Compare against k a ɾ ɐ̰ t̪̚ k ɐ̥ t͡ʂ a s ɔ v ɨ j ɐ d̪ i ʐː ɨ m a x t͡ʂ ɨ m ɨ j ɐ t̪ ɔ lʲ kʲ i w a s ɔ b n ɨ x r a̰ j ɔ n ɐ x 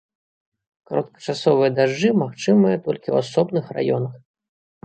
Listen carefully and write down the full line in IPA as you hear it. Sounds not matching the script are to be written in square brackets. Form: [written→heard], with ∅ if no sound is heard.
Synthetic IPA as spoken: k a ɾ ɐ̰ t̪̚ k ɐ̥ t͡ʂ a s ɔ v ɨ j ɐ d̪ [i→a] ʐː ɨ m a x t͡ʂ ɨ m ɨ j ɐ t̪ ɔ lʲ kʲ i w a s ɔ b n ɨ x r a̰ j ɔ n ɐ x